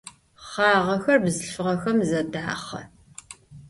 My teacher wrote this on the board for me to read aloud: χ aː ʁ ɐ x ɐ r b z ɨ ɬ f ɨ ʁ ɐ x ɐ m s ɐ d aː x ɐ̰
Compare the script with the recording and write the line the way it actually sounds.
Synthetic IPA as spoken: χ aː ʁ ɐ x ɐ r b z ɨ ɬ f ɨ ʁ ɐ x ɐ m z ɐ d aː χ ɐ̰